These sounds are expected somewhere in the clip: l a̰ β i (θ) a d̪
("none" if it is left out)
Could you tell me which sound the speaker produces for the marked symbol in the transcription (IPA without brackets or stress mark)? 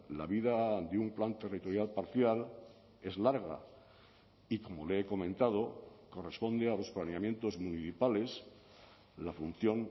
ð